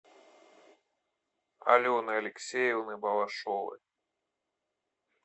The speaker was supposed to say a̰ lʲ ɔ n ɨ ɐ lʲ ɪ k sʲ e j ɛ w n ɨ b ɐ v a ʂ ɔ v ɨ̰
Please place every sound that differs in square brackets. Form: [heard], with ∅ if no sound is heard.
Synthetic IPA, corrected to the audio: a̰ lʲ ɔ n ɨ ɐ lʲ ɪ k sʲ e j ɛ w n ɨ b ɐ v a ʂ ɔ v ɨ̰